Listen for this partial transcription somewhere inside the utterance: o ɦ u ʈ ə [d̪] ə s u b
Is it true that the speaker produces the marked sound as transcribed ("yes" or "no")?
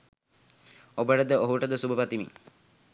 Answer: yes